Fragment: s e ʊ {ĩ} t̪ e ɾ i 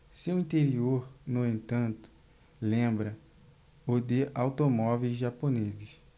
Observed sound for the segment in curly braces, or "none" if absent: ĩ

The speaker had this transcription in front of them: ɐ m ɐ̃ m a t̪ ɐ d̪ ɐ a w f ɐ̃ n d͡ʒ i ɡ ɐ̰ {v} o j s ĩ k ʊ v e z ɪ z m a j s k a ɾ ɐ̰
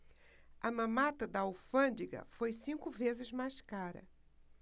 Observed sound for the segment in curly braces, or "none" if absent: f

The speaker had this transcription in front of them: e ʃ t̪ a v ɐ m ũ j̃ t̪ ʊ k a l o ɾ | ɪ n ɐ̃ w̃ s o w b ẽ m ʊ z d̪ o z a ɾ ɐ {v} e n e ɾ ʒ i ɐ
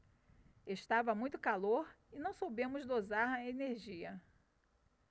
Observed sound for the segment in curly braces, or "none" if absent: none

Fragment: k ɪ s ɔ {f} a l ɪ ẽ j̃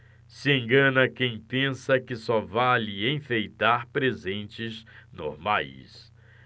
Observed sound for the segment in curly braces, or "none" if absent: v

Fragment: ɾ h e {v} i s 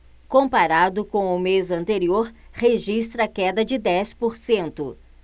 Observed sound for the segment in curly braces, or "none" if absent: ʒ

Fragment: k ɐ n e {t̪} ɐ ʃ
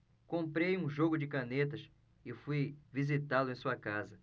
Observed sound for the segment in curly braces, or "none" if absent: t̪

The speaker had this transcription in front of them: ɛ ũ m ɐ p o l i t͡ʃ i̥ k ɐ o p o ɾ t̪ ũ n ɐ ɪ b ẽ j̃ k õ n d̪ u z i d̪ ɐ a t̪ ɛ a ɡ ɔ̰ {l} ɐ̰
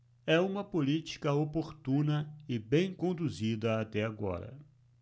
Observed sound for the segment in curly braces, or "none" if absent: ɾ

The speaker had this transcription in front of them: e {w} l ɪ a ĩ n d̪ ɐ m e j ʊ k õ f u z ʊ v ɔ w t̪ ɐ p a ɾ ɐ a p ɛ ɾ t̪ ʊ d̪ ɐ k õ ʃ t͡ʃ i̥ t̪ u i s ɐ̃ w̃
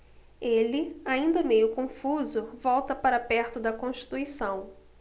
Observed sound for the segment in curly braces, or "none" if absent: none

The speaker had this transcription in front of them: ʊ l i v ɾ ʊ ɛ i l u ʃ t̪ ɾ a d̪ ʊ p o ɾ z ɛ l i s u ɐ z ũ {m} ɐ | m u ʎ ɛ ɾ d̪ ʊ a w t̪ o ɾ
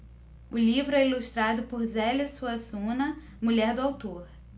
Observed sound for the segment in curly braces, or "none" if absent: n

